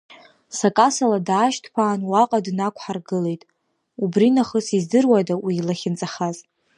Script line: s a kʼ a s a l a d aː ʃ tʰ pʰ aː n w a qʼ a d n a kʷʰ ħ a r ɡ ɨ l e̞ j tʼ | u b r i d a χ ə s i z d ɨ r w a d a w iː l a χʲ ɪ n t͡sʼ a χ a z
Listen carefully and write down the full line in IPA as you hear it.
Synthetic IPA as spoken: s a kʼ a s a l a d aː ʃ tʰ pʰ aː n w a qʼ a d n a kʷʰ ħ a r ɡ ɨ l e̞ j tʼ | u b r i n a χ ə s i z d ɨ r w a d a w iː l a χʲ ɪ n t͡sʼ a χ a z